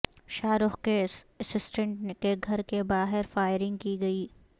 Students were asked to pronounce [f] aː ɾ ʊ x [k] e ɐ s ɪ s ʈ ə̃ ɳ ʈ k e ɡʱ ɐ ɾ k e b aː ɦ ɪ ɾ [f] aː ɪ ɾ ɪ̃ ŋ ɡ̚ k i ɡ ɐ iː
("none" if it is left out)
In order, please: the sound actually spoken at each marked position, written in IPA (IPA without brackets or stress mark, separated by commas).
ʃ, k, f